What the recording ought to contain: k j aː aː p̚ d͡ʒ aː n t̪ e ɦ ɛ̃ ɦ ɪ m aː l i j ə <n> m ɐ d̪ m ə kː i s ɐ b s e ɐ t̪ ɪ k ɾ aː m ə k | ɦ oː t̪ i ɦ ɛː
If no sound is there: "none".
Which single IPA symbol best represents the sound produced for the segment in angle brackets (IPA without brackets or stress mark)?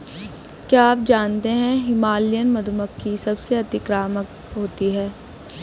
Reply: n